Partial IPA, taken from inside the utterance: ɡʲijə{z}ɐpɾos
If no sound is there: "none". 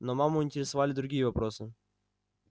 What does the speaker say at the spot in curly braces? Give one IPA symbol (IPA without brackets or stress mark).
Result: v